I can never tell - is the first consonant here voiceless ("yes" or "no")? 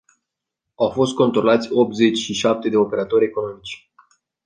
no